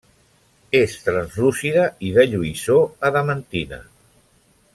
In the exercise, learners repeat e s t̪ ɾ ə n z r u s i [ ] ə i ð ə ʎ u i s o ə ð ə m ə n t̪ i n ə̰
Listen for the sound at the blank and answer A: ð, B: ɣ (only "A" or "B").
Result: A